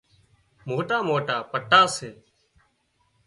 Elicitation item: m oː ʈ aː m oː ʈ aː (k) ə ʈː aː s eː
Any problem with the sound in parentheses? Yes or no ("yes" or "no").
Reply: yes